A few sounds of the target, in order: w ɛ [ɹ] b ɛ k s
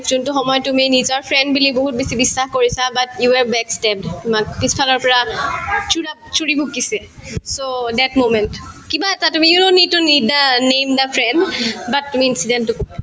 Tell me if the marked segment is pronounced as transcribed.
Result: yes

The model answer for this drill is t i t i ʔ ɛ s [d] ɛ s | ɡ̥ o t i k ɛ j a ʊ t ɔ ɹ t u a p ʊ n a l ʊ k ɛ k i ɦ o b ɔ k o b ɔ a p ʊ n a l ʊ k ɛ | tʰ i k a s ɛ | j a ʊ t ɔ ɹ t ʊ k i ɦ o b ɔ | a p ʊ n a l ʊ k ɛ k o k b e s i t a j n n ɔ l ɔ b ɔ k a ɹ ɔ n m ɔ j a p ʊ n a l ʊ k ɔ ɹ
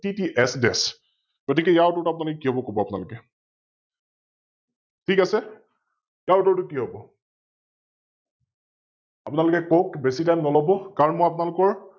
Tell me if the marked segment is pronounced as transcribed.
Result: yes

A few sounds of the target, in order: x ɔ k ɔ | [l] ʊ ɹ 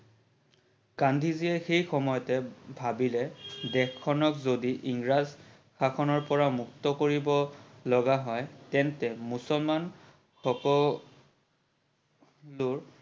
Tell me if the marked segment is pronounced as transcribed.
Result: yes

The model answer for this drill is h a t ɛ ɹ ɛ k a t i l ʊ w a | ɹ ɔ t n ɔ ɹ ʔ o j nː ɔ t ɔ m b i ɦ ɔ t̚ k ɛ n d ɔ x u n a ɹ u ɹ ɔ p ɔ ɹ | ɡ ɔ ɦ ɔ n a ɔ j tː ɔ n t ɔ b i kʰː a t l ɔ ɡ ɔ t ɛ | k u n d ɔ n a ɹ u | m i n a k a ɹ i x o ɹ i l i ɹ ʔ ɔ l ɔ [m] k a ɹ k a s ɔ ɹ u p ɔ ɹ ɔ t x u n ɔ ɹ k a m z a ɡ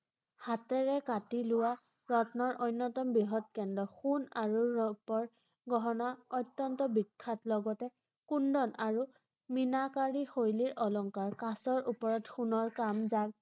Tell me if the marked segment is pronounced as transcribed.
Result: no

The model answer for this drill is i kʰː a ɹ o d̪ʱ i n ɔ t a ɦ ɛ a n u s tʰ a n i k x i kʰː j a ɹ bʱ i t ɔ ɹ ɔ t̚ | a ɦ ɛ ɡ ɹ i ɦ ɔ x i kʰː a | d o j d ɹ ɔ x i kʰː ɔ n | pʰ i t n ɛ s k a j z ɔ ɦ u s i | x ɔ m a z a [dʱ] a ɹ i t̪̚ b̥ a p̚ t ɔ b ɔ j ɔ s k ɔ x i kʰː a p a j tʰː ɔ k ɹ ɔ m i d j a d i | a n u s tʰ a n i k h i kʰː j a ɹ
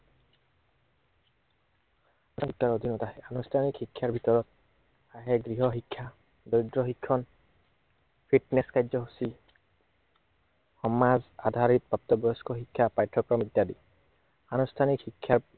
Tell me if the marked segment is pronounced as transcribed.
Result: yes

